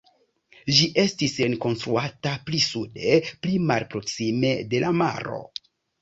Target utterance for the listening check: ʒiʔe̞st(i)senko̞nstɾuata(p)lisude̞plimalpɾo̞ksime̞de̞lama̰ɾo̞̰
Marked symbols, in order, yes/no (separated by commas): yes, yes